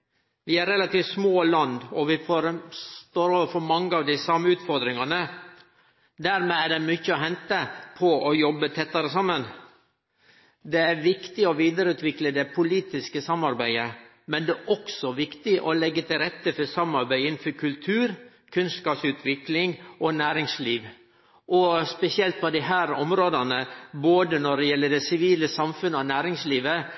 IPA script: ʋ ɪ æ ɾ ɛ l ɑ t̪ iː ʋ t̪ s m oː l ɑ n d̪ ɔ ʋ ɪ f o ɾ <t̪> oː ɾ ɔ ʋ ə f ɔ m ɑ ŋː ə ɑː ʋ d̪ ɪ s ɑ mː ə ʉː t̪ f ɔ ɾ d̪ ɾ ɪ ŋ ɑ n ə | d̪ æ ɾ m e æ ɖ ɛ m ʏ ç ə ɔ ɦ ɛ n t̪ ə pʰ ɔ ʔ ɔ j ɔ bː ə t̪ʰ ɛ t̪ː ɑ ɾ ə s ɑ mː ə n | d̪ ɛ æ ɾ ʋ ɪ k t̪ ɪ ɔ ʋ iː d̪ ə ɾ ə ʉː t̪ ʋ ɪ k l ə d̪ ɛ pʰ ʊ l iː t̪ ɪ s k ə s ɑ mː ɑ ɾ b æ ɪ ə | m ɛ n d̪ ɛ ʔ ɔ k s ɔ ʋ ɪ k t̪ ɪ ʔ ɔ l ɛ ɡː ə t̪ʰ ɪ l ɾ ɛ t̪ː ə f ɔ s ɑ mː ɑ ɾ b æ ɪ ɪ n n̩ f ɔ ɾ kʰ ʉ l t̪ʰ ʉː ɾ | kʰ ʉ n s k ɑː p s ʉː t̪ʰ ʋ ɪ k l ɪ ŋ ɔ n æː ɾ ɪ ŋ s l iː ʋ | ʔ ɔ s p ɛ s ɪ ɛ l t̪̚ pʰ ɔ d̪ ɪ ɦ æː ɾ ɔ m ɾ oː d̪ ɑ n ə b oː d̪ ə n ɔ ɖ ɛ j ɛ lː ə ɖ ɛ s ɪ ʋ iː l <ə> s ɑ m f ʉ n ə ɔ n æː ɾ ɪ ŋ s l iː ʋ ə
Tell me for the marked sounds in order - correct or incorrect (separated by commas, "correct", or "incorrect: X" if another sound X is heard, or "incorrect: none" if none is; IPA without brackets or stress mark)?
correct, correct